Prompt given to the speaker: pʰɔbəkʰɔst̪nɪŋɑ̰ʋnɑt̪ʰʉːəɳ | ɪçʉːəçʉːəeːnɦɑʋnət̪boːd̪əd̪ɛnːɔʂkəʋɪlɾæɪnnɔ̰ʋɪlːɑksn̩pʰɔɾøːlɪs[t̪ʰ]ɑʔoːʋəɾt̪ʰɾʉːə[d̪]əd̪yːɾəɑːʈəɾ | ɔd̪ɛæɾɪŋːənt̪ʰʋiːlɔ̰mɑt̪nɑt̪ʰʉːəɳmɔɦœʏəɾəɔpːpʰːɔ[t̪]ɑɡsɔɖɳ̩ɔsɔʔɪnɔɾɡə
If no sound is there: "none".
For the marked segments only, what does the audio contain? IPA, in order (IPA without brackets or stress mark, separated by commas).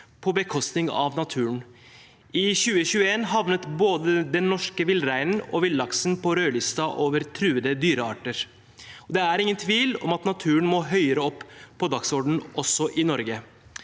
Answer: t̪, d̪, d̪